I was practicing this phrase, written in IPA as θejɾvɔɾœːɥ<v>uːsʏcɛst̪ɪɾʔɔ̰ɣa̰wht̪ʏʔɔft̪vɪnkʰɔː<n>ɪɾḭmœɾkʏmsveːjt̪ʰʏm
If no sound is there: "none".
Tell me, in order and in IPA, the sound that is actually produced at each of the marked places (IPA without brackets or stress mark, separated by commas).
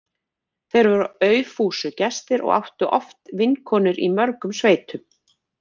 f, n